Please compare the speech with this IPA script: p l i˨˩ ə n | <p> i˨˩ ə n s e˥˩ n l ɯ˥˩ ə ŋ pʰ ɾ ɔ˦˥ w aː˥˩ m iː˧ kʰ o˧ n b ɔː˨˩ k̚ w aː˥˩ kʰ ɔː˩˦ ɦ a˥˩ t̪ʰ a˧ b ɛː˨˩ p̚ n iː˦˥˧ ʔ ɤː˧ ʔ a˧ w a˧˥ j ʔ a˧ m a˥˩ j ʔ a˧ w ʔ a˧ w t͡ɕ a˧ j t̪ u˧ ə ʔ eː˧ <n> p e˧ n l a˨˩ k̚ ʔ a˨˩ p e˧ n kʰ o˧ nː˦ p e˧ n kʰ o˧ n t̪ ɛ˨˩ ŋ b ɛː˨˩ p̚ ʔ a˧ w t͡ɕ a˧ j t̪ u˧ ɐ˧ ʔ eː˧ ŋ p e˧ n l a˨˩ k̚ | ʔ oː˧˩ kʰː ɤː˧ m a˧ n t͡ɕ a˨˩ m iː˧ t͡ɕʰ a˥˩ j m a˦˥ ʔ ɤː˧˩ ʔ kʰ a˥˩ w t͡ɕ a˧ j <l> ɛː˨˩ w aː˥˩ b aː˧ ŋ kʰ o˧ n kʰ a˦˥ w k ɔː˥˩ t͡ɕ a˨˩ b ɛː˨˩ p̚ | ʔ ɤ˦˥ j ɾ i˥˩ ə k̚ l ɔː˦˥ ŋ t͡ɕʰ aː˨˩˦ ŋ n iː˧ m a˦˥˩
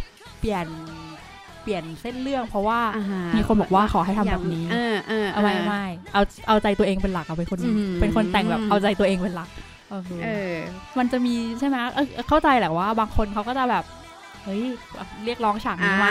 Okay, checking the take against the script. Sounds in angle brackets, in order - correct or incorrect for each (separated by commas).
correct, incorrect, correct